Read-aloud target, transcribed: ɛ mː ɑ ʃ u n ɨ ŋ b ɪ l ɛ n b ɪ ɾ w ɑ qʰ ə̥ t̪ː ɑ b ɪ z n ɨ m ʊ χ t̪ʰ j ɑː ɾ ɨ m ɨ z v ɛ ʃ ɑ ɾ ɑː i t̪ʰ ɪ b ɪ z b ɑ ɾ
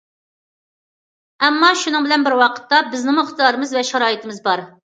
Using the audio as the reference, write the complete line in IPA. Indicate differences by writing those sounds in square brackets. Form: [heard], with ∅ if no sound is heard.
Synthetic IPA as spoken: ɛ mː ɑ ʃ u n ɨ ŋ b ɪ l ɛ n b ɪ ɾ w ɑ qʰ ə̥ t̪ː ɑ b ɪ z n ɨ m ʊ χ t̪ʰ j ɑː ɾ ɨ m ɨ z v ɛ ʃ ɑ ɾ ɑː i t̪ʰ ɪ [m] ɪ z b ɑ ɾ